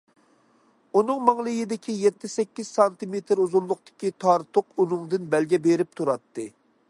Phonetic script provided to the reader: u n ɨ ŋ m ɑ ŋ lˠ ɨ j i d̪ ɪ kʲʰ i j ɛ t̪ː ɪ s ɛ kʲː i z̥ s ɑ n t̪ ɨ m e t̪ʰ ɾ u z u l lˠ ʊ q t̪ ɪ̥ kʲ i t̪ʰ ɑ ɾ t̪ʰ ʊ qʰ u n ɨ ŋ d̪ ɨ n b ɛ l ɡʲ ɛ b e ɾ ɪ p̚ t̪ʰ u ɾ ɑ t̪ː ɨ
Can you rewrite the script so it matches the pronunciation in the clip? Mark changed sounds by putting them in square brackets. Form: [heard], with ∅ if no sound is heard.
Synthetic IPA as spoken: u n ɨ ŋ m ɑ ŋ lˠ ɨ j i d̪ ɪ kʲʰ i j ɛ t̪ː ɪ s ɛ kʲː i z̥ s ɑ n t̪ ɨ m e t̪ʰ ɾ u z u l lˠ ʊ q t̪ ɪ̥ kʲ i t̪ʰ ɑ ɾ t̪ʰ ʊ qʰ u n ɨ ŋ d̪ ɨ n b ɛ l ɡʲ ɛ b e ɾ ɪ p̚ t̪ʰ u ɾ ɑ t̪ː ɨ

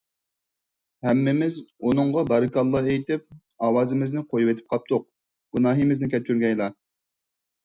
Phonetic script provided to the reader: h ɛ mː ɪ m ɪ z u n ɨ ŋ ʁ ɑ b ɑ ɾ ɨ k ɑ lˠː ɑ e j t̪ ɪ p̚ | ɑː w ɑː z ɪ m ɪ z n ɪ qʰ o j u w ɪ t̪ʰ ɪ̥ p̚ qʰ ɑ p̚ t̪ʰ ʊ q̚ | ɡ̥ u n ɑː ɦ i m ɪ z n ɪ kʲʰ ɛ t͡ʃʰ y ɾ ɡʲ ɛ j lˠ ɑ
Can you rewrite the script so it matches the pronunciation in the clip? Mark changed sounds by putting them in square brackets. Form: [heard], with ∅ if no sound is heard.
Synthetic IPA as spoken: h ɛ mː ɪ m ɪ z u n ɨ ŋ ʁ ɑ b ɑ ɾ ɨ k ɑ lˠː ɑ e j t̪ ɪ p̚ | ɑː w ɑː z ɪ m ɪ z n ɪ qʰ o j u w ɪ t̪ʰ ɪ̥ p̚ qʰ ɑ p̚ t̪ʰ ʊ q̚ | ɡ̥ u n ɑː ɦ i m ɪ z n ɪ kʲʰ ɛ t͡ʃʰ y ɾ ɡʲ ɛ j lˠ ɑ

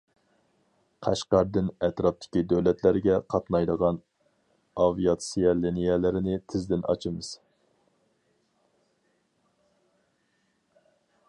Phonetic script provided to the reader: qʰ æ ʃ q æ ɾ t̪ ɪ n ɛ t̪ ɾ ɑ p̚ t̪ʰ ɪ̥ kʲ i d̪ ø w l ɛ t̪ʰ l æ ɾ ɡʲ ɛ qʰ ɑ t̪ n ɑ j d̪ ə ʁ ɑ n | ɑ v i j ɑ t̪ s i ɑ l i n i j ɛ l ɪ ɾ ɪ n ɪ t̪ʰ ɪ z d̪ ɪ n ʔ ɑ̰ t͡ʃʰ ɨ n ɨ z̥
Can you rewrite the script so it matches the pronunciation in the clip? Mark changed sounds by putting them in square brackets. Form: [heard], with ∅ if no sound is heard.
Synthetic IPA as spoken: qʰ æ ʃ q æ ɾ [d̪] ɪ n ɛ t̪ ɾ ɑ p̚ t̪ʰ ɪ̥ kʲ i d̪ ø w l ɛ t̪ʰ l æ ɾ ɡʲ ɛ qʰ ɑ t̪ n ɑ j d̪ ə ʁ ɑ n | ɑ v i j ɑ t̪ s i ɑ l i n i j ɛ l ɪ ɾ ɪ n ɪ t̪ʰ ɪ z d̪ ɪ n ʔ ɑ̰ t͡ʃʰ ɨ [m] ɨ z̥

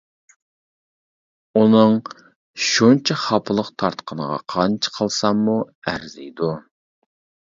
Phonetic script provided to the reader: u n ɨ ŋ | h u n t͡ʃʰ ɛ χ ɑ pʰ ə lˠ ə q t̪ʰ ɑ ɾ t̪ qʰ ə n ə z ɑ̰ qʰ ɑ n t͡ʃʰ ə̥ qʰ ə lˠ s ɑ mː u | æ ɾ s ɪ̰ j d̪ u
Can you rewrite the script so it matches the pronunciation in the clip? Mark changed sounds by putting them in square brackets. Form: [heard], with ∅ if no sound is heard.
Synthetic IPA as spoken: u n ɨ ŋ | [ʃ] u n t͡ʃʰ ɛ χ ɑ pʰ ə lˠ ə q t̪ʰ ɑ ɾ t̪ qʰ ə n ə [ʁ] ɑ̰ qʰ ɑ n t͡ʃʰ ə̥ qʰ ə lˠ s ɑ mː u | æ ɾ [z] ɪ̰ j d̪ u

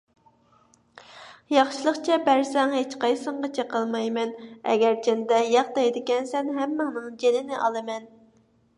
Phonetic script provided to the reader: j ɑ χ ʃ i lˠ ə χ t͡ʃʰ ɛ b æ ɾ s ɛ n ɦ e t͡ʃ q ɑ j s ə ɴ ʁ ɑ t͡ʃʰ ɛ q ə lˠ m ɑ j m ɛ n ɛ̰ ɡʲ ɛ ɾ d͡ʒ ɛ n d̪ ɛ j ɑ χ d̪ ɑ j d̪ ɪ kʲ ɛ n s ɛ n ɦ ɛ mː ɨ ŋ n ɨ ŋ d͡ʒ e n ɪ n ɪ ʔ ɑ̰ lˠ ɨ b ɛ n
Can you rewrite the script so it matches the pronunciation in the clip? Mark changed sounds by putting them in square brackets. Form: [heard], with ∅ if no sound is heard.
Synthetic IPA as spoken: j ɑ χ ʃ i lˠ ə χ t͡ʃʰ ɛ b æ ɾ s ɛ [ŋ] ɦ e t͡ʃ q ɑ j s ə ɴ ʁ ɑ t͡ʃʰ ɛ q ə lˠ m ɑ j m ɛ n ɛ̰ ɡʲ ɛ ɾ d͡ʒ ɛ n d̪ ɛ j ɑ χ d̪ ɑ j d̪ ɪ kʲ ɛ n s ɛ n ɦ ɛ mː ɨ ŋ n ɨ ŋ d͡ʒ e n ɪ n ɪ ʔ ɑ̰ lˠ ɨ [m] ɛ n

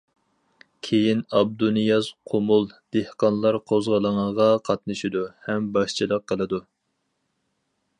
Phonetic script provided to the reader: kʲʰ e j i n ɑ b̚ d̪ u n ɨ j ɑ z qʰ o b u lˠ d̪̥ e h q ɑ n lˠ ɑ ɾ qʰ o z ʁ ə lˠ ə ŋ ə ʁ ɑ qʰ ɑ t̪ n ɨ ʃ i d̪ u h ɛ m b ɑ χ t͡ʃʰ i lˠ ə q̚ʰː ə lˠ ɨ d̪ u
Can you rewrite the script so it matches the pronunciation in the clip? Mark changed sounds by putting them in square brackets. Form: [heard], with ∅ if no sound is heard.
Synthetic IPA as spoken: kʲʰ e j i n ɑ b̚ d̪ u n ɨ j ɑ z qʰ o [m] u lˠ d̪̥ e h q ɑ n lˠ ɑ ɾ qʰ o z ʁ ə lˠ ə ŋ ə ʁ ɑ qʰ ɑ t̪ n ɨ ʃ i d̪ u h ɛ m b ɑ [ʃ] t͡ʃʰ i lˠ ə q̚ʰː ə lˠ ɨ d̪ u

